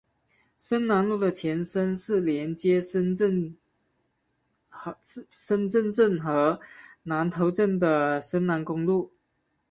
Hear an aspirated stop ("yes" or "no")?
yes